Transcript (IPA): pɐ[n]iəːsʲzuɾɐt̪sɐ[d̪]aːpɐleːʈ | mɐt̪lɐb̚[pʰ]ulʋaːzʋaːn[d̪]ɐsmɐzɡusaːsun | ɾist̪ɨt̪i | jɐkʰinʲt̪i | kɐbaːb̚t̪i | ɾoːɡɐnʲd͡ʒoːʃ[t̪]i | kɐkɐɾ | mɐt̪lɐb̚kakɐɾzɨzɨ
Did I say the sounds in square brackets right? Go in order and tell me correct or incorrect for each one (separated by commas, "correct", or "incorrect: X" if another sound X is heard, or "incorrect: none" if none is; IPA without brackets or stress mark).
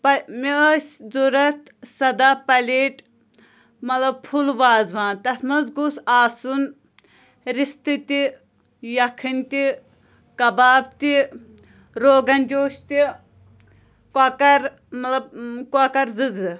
incorrect: m, correct, correct, incorrect: t̪, correct